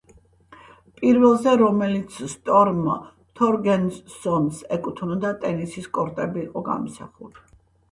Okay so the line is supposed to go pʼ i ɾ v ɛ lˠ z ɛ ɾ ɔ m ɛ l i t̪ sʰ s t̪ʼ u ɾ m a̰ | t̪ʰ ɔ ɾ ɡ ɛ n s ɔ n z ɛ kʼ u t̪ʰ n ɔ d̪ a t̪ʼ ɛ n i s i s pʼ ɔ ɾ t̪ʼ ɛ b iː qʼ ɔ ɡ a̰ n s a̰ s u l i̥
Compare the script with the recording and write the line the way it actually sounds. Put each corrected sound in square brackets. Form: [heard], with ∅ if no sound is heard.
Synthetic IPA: pʼ i ɾ v ɛ lˠ z ɛ ɾ ɔ m ɛ l i t̪ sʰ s t̪ʼ [ɔ] ɾ m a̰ | t̪ʰ ɔ ɾ ɡ ɛ n s ɔ n [s] ɛ kʼ u t̪ʰ n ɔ d̪ a t̪ʼ ɛ n i s i s [kʼ] ɔ ɾ t̪ʼ ɛ b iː qʼ ɔ ɡ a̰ [m] s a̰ [χ] u l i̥